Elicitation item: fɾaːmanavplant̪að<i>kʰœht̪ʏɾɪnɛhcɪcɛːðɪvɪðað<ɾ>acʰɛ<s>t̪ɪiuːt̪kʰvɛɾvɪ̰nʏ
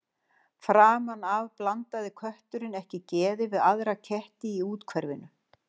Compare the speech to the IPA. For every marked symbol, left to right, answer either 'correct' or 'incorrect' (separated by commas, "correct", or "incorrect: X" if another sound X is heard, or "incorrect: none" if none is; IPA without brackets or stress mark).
incorrect: ɪ, correct, incorrect: h